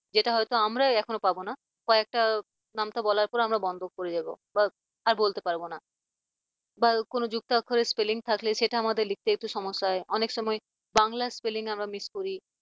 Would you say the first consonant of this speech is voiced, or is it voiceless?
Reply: voiced